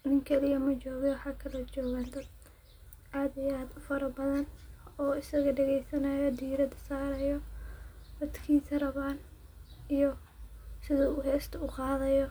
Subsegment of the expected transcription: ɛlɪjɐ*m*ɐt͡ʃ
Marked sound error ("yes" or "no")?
no